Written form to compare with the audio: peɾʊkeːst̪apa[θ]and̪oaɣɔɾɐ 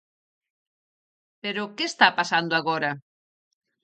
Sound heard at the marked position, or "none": s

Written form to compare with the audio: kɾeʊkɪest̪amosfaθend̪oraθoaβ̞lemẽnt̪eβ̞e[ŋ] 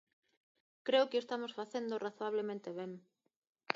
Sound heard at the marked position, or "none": ŋ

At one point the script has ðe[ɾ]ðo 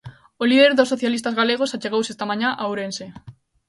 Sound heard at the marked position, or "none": ɾ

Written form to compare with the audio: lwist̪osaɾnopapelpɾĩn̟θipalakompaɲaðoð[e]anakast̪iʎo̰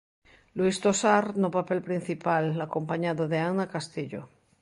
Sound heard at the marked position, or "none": e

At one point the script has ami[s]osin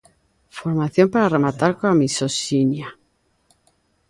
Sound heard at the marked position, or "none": s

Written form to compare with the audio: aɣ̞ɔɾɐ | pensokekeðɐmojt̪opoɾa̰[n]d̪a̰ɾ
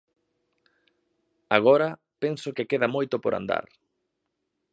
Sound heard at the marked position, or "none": n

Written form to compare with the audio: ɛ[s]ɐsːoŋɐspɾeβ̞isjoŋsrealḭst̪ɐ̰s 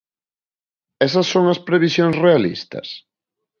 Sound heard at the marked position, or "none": s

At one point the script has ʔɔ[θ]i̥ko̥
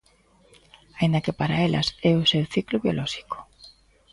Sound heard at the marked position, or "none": ʃ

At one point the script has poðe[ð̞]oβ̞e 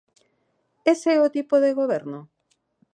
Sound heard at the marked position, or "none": ɣ̞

